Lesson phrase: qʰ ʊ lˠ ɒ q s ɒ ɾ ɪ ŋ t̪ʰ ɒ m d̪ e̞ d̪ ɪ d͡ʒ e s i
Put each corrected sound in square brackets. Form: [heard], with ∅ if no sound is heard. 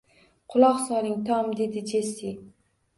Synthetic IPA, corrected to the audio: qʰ ʊ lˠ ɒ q s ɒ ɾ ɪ ŋ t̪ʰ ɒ m d̪ e̞ d̪ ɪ d͡ʒ e s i